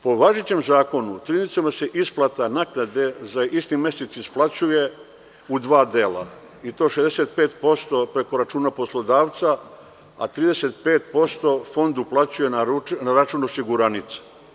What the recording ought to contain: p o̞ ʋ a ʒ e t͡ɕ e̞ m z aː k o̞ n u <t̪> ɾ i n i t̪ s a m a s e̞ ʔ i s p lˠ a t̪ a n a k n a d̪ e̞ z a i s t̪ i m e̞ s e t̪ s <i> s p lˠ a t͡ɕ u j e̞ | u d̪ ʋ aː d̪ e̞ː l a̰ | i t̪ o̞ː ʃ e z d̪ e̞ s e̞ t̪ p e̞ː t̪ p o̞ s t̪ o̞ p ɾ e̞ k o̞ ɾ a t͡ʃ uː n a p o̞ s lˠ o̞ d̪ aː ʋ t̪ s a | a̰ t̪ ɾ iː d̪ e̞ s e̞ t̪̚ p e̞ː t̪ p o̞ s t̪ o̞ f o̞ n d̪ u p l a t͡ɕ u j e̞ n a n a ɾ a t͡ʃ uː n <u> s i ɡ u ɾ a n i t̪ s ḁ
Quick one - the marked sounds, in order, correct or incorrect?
correct, correct, incorrect: o

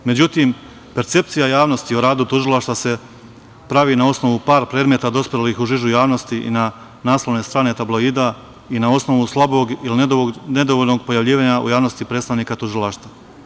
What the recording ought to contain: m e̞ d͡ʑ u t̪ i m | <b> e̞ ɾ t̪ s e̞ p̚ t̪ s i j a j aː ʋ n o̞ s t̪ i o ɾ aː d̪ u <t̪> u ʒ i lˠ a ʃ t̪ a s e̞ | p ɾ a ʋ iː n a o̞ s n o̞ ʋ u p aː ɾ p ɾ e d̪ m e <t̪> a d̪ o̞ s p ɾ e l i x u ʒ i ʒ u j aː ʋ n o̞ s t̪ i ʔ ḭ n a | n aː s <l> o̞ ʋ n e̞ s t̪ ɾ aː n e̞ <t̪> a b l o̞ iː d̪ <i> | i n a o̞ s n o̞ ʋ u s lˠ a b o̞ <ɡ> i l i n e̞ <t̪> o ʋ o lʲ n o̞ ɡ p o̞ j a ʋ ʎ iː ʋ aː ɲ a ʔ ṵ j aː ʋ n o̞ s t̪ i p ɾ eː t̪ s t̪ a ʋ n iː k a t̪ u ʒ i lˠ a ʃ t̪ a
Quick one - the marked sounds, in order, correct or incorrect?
incorrect: p, correct, correct, correct, correct, incorrect: a, correct, incorrect: d̪

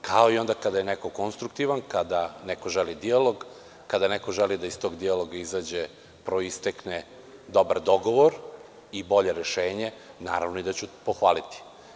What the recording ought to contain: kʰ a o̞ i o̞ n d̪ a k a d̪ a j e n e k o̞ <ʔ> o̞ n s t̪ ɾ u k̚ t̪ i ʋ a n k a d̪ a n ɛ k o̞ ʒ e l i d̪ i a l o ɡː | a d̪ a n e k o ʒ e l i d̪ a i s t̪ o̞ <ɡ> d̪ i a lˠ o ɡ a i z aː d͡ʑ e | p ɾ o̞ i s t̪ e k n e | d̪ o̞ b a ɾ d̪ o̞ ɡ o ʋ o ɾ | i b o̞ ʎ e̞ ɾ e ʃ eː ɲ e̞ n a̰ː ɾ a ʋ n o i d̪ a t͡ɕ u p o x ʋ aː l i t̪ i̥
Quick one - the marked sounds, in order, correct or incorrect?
incorrect: k, correct

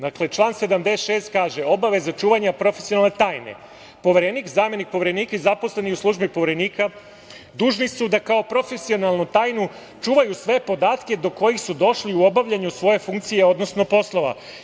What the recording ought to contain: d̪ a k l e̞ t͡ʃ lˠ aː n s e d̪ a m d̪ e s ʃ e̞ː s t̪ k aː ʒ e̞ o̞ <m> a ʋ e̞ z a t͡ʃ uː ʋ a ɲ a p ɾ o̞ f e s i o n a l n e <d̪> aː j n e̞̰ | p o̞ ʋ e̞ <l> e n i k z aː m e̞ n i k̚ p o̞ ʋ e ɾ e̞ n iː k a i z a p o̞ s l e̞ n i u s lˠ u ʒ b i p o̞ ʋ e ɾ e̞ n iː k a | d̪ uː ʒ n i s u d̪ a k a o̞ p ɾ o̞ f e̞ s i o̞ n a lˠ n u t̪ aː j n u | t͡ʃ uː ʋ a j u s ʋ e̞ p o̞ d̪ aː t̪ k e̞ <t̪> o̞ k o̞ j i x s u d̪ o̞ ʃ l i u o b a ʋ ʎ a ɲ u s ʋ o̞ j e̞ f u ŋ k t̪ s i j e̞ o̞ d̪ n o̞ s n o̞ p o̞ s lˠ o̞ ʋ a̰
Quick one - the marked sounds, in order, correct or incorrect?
incorrect: b, incorrect: t̪, incorrect: ɾ, incorrect: d̪

